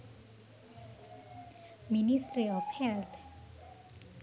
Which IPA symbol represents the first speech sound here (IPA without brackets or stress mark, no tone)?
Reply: m